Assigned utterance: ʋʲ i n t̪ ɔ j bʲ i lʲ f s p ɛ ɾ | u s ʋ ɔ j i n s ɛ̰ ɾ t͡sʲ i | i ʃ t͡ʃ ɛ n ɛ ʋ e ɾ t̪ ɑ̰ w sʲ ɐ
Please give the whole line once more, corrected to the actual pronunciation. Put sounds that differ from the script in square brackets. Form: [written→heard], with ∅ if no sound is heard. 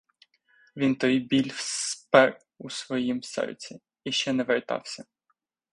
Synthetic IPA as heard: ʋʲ i n t̪ ɔ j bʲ i lʲ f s p ɛ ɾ | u s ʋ ɔ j i [n→m] s ɛ̰ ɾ t͡sʲ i | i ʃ t͡ʃ ɛ n ɛ ʋ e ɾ t̪ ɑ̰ w sʲ ɐ